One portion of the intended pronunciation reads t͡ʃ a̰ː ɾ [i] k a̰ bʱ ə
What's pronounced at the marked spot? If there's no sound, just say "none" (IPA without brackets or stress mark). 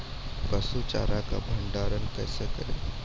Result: a